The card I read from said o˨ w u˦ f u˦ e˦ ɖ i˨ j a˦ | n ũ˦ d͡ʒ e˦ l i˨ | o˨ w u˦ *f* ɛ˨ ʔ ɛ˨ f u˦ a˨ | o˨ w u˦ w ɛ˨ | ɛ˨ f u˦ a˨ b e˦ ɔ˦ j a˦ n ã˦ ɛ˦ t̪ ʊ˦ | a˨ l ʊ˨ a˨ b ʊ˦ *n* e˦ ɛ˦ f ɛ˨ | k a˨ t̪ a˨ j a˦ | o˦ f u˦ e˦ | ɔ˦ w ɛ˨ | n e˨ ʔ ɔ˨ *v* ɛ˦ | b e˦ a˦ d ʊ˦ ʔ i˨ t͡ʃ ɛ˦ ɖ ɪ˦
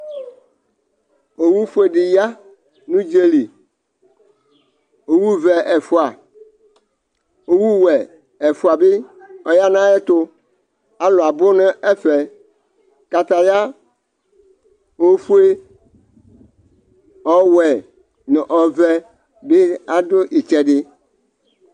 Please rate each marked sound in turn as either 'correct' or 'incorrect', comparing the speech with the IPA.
incorrect: v, correct, correct

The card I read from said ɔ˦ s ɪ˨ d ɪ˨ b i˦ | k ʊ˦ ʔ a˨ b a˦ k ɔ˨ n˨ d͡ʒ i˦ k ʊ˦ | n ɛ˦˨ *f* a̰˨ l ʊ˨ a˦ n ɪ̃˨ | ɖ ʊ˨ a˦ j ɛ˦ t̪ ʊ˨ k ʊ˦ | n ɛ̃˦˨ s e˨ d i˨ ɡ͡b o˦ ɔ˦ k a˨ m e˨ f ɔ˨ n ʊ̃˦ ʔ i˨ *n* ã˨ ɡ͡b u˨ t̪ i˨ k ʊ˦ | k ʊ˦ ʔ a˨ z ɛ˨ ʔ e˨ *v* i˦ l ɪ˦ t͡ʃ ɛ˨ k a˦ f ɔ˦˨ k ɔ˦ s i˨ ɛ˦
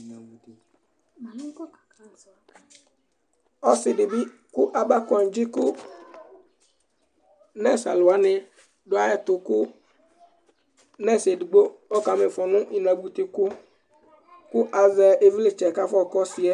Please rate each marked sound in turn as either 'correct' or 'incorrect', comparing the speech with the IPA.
incorrect: s, correct, correct

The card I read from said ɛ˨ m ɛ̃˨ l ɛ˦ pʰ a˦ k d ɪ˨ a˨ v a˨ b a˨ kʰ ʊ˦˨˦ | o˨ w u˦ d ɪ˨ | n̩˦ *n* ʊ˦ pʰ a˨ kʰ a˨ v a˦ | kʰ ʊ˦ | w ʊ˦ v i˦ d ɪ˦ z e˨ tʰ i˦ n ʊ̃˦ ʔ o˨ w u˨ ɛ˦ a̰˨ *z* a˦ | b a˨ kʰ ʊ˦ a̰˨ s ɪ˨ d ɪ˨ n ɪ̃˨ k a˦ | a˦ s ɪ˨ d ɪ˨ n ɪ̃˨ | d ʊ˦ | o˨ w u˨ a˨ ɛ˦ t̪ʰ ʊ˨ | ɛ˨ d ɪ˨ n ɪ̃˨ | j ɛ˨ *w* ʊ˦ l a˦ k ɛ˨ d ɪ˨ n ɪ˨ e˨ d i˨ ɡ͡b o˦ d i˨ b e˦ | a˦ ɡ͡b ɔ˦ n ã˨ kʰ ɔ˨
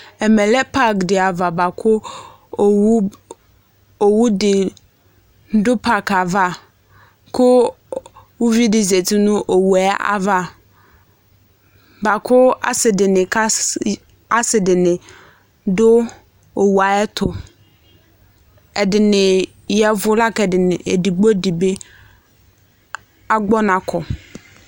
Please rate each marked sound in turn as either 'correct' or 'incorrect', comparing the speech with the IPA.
incorrect: d, incorrect: v, incorrect: v

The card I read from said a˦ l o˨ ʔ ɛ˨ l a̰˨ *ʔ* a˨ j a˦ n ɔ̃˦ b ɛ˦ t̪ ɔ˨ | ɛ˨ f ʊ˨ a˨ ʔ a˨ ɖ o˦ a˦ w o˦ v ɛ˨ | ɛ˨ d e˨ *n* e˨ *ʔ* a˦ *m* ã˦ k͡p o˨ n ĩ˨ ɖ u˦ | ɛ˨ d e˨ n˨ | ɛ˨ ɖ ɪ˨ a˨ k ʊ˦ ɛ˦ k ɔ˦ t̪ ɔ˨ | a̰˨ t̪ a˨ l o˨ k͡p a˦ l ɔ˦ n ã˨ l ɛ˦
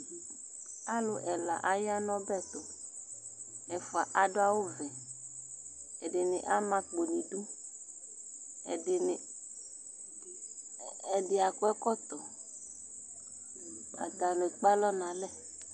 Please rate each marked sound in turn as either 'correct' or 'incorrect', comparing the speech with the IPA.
correct, correct, correct, correct

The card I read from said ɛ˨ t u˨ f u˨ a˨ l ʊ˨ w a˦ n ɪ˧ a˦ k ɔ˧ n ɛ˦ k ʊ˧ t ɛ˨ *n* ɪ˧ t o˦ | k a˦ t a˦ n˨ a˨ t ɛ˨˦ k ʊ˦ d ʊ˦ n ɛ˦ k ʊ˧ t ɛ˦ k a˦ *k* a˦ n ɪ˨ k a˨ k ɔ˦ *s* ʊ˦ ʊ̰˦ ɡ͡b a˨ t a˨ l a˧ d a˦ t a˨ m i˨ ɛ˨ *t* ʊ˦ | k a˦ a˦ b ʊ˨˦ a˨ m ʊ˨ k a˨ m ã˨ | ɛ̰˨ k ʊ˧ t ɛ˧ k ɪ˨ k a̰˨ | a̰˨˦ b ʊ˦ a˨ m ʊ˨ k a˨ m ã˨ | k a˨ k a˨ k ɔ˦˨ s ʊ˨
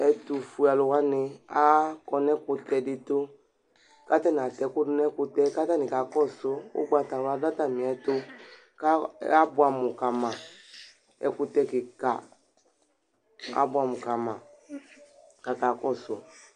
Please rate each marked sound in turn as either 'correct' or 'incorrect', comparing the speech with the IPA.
incorrect: d, incorrect: t, correct, correct

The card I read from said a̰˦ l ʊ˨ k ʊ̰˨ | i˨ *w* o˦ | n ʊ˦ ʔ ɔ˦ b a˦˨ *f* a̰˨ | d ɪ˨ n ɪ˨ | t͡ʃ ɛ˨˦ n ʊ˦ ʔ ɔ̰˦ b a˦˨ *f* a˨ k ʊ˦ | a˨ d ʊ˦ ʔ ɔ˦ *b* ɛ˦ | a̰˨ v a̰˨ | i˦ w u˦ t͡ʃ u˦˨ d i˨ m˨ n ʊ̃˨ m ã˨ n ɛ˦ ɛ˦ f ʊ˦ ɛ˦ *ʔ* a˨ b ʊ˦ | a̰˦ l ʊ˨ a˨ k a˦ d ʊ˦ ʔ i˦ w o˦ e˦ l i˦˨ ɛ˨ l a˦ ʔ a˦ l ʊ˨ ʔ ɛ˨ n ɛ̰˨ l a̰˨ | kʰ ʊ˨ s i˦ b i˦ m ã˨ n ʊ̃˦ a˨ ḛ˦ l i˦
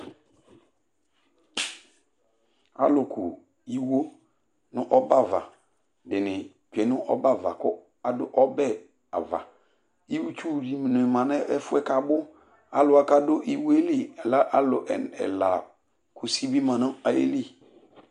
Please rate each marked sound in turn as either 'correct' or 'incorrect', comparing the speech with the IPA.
correct, incorrect: v, incorrect: v, correct, incorrect: k

